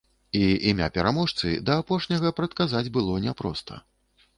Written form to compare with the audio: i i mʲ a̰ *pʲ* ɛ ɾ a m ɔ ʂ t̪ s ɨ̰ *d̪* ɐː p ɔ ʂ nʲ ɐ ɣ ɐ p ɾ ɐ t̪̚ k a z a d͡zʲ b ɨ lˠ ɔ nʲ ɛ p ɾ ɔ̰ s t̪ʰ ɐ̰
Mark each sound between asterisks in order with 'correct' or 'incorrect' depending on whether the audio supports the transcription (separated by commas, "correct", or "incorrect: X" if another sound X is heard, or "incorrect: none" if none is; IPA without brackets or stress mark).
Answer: correct, correct